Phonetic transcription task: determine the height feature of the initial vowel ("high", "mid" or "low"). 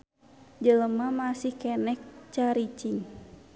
mid